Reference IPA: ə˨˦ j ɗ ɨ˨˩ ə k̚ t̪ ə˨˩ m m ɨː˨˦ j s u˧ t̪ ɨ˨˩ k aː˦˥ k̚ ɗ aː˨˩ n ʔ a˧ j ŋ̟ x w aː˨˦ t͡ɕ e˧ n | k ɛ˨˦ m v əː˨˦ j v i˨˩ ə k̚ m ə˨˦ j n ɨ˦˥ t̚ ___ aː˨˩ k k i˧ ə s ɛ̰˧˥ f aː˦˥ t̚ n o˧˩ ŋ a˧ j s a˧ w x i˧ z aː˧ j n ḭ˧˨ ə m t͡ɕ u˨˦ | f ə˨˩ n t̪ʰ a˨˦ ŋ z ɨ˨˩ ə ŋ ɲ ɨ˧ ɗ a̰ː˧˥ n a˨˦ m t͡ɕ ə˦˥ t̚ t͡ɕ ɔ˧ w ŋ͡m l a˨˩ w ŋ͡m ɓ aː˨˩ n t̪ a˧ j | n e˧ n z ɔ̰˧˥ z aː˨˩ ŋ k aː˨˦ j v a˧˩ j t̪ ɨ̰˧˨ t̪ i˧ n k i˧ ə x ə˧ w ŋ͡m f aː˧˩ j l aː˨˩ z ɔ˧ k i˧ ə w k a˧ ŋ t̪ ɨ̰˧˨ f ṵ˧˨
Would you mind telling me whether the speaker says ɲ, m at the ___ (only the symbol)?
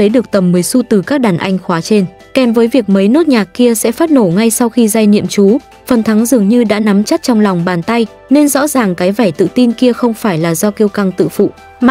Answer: ɲ